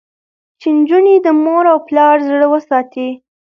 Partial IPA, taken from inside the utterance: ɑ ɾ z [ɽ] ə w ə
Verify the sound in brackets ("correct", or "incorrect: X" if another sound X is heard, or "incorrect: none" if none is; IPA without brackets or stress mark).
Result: correct